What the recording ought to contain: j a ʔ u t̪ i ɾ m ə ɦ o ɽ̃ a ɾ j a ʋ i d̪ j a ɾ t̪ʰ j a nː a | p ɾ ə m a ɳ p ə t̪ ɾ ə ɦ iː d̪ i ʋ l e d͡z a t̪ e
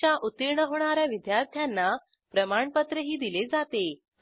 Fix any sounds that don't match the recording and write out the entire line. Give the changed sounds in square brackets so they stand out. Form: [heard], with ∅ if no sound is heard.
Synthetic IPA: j a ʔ u t̪ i ɾ [ɳ] ə ɦ o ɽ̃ a ɾ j a ʋ i d̪ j a ɾ t̪ʰ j a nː a | p ɾ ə m a ɳ p ə t̪ ɾ ə ɦ iː d̪ i [∅] l e d͡z a t̪ e